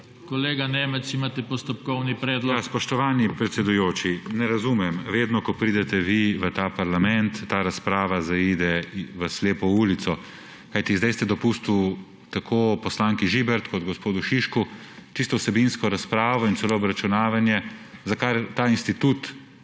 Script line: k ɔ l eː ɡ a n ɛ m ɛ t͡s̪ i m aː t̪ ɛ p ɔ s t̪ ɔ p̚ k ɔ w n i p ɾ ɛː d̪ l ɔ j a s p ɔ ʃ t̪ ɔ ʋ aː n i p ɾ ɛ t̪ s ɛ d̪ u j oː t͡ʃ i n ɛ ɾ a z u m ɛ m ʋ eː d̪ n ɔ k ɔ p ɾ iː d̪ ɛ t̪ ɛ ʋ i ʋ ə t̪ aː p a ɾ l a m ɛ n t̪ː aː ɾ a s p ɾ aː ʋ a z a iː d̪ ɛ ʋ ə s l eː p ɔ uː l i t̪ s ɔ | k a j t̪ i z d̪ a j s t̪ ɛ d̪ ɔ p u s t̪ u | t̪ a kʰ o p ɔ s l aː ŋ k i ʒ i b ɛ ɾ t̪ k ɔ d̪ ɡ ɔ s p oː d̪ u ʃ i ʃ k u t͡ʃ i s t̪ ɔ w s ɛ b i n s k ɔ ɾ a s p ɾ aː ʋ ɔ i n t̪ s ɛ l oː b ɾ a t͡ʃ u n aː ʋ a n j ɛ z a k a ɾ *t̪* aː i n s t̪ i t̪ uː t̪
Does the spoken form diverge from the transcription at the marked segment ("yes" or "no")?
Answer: no